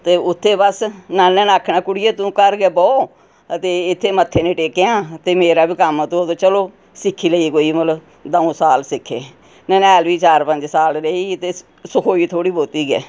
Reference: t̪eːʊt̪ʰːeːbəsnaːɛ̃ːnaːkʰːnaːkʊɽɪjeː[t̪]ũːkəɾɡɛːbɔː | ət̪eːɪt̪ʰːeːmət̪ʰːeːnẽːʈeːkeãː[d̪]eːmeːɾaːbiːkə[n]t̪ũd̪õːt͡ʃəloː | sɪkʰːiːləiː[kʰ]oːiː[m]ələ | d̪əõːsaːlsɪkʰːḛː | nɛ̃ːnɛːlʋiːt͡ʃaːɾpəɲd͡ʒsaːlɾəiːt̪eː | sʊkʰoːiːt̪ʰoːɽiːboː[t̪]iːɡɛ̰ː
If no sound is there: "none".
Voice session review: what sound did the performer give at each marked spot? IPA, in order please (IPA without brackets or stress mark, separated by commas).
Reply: t̪, t̪, m, k, m, t̪